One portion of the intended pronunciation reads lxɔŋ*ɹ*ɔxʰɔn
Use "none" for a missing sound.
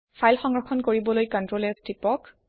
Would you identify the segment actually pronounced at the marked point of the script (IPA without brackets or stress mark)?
ɹ